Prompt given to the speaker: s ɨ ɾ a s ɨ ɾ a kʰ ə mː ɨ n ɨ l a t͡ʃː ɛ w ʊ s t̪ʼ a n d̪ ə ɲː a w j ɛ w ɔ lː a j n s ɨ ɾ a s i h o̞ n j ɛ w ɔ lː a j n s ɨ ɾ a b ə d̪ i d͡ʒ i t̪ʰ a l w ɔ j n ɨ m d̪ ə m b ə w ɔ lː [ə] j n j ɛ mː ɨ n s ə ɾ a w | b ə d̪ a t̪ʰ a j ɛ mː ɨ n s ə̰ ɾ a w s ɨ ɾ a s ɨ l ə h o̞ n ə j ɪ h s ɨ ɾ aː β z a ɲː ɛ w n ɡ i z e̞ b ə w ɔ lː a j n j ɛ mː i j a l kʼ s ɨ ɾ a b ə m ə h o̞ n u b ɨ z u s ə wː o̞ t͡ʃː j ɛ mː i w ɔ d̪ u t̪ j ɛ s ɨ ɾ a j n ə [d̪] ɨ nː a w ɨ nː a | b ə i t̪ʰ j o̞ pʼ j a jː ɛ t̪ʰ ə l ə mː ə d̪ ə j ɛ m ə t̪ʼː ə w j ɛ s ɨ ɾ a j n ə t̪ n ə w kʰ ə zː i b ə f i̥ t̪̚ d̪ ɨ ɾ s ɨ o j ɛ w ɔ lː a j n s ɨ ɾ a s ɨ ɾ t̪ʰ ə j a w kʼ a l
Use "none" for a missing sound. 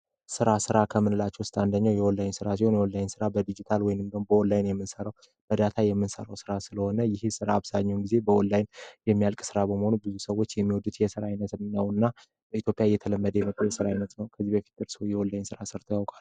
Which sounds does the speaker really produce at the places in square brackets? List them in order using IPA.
a, t̪

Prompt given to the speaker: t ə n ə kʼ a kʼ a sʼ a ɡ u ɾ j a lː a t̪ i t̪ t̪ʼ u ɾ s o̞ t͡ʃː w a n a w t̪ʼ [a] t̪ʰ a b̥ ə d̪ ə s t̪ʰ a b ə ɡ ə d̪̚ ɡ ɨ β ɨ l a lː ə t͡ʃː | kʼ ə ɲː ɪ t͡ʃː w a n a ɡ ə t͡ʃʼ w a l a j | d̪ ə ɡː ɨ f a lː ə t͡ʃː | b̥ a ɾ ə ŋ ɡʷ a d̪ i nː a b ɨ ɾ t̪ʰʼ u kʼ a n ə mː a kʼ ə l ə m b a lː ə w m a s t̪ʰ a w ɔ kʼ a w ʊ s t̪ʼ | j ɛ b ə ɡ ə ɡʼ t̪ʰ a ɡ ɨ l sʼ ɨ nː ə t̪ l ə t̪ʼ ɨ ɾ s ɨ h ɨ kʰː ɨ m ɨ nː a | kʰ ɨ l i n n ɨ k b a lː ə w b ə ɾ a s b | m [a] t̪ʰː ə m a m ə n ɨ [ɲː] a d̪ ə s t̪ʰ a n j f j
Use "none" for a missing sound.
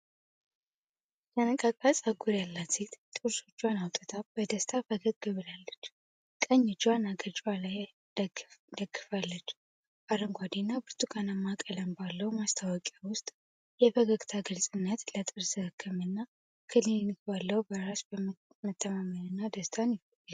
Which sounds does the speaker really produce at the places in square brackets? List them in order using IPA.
ə, ə, nː

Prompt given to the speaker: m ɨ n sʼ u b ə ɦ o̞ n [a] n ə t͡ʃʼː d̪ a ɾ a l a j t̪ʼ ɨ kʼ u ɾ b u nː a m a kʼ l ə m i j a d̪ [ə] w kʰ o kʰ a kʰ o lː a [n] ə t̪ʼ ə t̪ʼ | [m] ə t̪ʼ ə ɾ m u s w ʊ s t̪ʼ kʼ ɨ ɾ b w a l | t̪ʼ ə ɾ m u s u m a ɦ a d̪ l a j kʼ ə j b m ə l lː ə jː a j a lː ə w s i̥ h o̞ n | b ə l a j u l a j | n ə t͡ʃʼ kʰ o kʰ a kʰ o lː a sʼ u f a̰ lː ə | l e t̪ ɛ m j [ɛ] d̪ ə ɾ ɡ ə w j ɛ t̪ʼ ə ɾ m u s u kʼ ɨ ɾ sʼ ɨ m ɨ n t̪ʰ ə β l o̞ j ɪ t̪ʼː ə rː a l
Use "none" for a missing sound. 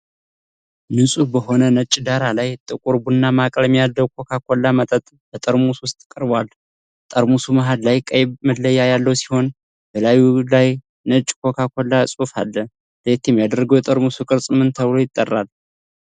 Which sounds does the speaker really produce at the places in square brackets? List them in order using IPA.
ə, ə, m, b, a

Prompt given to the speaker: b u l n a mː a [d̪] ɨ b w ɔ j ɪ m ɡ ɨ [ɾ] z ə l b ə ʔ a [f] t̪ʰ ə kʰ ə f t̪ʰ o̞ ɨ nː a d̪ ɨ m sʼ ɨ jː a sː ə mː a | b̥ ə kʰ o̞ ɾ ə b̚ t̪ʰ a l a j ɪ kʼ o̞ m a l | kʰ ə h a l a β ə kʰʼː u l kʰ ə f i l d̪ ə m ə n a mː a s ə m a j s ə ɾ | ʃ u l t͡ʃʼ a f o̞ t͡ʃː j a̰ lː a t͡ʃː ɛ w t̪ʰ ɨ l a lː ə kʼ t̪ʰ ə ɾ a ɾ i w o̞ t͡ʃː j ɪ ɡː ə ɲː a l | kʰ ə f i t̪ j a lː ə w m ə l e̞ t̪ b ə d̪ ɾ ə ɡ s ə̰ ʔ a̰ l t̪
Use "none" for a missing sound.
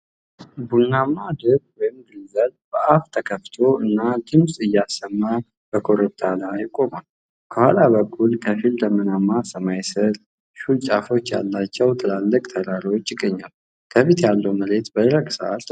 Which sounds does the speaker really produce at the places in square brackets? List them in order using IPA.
d̪, l, f

